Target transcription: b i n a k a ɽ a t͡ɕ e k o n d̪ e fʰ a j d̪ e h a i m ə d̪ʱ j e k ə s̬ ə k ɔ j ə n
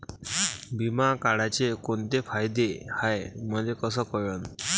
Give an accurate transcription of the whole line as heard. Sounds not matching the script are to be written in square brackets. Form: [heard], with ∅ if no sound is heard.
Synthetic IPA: b i [m] a k a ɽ a t͡ɕ e k o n [t̪] e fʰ a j d̪ e h a [j] m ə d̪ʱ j e k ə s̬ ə k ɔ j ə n